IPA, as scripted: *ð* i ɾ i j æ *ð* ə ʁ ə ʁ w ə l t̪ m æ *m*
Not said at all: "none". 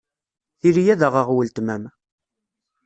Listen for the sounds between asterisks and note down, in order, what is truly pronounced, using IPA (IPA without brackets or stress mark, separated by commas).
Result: θ, ð, m